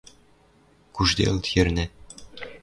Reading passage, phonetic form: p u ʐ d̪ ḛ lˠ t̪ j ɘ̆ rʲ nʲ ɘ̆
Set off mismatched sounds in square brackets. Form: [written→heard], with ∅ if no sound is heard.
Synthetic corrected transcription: [p→k] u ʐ d̪ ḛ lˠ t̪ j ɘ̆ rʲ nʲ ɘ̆